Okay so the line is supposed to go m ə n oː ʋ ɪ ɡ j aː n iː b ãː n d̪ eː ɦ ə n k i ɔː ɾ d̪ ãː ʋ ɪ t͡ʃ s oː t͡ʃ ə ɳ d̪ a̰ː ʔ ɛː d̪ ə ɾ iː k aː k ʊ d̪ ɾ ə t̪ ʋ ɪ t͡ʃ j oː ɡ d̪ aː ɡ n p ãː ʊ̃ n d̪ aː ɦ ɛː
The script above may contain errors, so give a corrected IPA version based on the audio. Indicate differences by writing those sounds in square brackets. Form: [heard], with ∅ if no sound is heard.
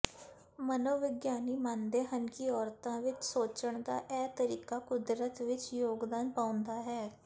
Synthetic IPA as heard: m ə n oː ʋ ɪ ɡ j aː n iː [m] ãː n d̪ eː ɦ ə n k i ɔː ɾ [t̪] ãː ʋ ɪ t͡ʃ s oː t͡ʃ ə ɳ d̪ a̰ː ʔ ɛː [t̪] ə ɾ iː k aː k ʊ d̪ ɾ ə t̪ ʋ ɪ t͡ʃ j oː ɡ d̪ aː [∅] n p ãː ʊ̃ n d̪ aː ɦ ɛː